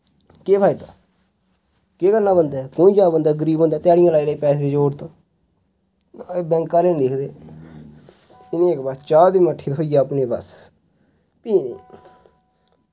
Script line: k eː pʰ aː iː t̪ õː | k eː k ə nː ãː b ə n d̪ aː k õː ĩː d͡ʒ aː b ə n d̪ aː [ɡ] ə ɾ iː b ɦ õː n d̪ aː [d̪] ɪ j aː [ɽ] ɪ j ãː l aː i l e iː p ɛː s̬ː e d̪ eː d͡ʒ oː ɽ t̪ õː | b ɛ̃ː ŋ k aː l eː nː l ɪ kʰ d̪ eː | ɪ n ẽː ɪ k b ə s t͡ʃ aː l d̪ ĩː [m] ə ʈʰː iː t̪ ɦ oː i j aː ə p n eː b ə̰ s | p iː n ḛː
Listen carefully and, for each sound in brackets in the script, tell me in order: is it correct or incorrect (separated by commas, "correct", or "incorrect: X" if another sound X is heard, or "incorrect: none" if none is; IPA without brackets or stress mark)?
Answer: correct, incorrect: t̪, correct, correct